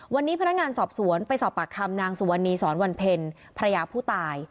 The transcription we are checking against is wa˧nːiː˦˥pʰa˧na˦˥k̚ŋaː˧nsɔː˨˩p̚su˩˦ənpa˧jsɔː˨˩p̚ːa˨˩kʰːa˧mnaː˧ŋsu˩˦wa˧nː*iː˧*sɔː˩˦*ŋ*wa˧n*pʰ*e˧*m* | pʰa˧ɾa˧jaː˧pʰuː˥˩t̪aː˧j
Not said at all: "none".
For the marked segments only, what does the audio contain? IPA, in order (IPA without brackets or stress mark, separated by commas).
iː˧, n, pʰ, n